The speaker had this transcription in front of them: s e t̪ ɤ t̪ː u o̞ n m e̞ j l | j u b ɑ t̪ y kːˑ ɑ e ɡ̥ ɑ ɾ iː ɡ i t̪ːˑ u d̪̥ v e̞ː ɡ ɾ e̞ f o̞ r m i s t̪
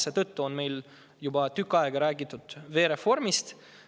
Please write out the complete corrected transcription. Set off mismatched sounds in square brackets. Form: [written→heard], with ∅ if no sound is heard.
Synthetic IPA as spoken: s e t̪ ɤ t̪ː u o̞ n m e̞ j l | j u b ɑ t̪ y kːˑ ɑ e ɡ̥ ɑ ɾ [iː→æː] ɡ i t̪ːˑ u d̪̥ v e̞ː [ɡ→∅] ɾ e̞ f o̞ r m i s t̪